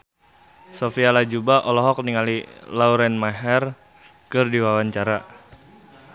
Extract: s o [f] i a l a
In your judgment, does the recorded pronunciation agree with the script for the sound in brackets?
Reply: yes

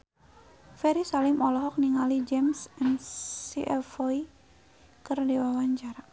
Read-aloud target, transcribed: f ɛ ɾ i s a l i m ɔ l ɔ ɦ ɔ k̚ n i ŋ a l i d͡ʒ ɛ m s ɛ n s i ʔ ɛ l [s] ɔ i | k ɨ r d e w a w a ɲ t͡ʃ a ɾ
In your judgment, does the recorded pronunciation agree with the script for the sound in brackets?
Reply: no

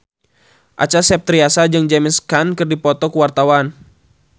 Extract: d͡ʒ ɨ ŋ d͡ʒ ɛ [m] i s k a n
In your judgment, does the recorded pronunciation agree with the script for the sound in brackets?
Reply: yes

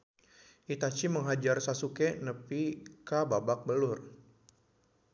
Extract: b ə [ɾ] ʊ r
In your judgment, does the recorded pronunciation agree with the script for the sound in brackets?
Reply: no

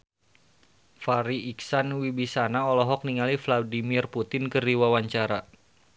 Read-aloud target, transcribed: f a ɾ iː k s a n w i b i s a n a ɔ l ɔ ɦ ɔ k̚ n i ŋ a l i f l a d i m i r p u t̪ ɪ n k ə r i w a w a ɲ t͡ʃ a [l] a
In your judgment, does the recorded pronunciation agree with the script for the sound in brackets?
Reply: no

